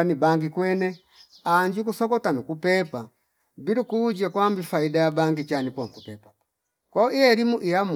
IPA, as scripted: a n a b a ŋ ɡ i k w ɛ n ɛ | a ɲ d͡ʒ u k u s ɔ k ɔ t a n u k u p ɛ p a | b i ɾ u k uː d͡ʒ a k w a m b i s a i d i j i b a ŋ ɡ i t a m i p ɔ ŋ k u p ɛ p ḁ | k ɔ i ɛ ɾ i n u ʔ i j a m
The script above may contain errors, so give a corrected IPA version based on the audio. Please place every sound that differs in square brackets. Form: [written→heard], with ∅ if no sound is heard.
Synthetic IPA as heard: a n [a→i] b a ŋ ɡ i k w ɛ n ɛ | a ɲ d͡ʒ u k u s ɔ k ɔ t a n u k u p ɛ p a | b i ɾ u k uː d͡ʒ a k w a m b i [s→f] a i d [i→a] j [i→a] b a ŋ ɡ i [t→t͡ʃ] a [m→n] i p ɔ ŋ k u p ɛ p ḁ | k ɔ i ɛ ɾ i [n→m] u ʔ i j a m

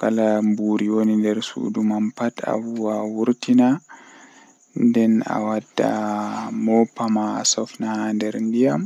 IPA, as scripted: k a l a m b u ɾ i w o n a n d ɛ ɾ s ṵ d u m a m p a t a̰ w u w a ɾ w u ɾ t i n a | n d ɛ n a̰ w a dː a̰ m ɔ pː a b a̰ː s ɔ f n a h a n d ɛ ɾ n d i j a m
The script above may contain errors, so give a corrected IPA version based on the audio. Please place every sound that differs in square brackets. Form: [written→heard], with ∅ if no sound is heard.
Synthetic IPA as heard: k a l a m b u ɾ i w o n [a→i] n d ɛ ɾ s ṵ d u m a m p a t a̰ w u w a [ɾ→∅] w u ɾ t i n a | n d ɛ n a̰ w a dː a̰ m ɔ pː a [b→m] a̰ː s ɔ f n a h a n d ɛ ɾ n d i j a m

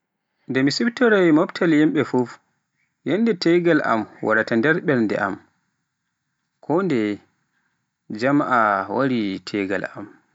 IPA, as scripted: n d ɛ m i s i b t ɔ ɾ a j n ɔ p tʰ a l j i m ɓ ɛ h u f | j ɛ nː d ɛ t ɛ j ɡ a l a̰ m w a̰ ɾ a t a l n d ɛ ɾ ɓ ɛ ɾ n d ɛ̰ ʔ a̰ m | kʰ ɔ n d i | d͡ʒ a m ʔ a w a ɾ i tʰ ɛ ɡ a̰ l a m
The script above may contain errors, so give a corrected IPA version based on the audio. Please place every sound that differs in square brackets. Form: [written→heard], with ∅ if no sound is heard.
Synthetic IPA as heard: n d ɛ m i s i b t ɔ ɾ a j [n→m] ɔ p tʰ a l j i m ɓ ɛ [h→f] u f | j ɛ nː d ɛ t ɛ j ɡ a l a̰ m w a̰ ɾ a t a [l→∅] n d ɛ ɾ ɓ ɛ ɾ n d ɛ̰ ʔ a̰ m | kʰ ɔ n d [i→ɛ] | d͡ʒ a m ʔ a w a ɾ i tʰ ɛ ɡ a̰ l a m

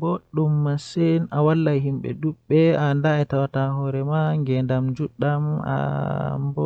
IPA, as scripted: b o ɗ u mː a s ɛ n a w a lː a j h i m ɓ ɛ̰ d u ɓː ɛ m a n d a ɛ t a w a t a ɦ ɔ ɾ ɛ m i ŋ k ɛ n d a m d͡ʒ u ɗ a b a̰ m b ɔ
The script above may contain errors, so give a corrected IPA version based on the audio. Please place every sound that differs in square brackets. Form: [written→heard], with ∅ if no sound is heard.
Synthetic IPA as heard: b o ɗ u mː a s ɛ n a w a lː a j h i m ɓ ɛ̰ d u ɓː ɛ [m→∅] a n d a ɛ t a w a t a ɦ ɔ ɾ ɛ m [i→a] ŋ [k→ɡ] ɛ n d a m d͡ʒ u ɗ a [b→m] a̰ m b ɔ

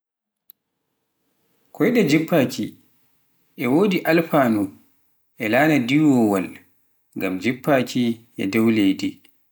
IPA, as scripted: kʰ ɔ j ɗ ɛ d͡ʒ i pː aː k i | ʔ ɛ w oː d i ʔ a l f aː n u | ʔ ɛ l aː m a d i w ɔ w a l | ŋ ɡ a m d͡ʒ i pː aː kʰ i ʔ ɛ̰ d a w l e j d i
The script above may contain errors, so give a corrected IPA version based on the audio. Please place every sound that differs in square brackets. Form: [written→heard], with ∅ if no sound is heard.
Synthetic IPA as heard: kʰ ɔ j ɗ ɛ d͡ʒ i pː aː k i | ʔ ɛ w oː d i ʔ a l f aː n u | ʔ ɛ l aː [m→n] a d i w ɔ w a l | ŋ ɡ a m d͡ʒ i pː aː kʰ i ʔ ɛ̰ d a w l e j d i

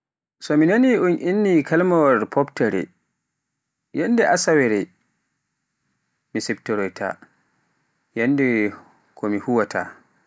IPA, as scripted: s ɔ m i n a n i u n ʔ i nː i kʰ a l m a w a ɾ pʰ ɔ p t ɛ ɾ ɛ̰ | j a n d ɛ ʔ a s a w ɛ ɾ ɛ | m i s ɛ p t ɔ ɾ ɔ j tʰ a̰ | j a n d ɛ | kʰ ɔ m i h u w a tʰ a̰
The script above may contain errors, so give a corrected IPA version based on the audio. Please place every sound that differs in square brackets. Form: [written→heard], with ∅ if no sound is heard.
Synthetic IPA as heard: s ɔ m i n a n i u n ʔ i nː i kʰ a l m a w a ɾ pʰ ɔ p t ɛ ɾ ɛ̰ | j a n d ɛ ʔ a s a w ɛ ɾ ɛ | m i s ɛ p t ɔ ɾ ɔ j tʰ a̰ | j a n d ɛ | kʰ ɔ m i h u w a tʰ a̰

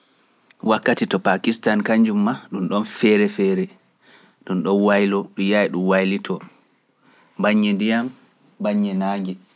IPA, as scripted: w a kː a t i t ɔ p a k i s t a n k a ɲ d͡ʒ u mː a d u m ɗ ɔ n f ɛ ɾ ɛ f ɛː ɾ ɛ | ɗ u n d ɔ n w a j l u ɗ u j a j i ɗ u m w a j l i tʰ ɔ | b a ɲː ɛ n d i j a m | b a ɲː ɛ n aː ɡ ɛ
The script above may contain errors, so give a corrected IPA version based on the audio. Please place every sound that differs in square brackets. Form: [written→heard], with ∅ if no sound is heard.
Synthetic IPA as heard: w a kː a t i t ɔ p a k i s t a n k a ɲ d͡ʒ u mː a [d→ɗ] u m ɗ ɔ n f ɛ ɾ ɛ f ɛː ɾ ɛ | ɗ u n [d→ɗ] ɔ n w a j l [u→ɔ] ɗ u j a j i ɗ u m w a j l i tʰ ɔ | b a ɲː ɛ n d i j a m | b a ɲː ɛ n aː ɡ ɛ

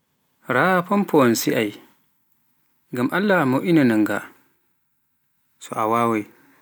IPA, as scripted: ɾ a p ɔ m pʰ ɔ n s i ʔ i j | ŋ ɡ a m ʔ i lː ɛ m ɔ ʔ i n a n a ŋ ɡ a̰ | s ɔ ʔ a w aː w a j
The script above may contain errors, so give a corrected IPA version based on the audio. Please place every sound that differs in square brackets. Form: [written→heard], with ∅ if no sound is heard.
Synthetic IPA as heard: ɾ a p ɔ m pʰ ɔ n s i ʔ [i→a] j | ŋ ɡ a m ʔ [i→a] lː [ɛ→a] m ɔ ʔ i n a n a ŋ ɡ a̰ | s ɔ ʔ a w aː w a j

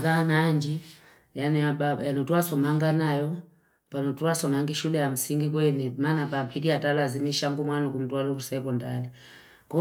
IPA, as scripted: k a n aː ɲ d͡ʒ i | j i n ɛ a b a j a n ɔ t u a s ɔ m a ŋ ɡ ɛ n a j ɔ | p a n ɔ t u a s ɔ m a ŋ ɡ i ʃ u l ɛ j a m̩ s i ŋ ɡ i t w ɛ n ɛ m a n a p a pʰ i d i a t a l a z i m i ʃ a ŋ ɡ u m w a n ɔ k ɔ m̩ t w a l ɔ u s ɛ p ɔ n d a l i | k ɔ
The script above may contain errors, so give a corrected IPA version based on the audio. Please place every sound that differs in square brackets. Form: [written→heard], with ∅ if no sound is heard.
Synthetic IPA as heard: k a n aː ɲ d͡ʒ i | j [i→a] n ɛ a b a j a n ɔ t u a s ɔ m a ŋ ɡ [ɛ→a] n a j ɔ | p a n ɔ t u a s ɔ m a ŋ ɡ i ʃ u l ɛ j a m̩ s i ŋ ɡ i [t→k] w ɛ n ɛ m a n a p a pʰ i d i a t a l a z i m i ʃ a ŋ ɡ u m w a n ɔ k [ɔ→u] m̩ t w a l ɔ u s ɛ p ɔ n d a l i | k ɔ

